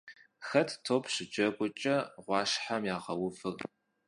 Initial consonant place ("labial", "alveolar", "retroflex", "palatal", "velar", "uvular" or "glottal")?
velar